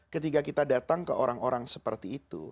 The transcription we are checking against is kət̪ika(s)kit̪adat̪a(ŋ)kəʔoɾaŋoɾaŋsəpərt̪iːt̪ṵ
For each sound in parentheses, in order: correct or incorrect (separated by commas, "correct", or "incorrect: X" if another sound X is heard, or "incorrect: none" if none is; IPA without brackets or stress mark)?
incorrect: none, correct